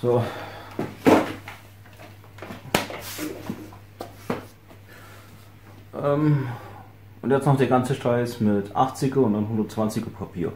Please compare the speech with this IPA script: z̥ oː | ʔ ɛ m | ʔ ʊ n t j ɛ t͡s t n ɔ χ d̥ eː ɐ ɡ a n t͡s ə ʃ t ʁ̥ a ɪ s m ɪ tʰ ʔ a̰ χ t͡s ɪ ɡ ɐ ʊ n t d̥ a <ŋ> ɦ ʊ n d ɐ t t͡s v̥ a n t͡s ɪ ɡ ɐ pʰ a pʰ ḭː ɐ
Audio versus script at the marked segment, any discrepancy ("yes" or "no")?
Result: yes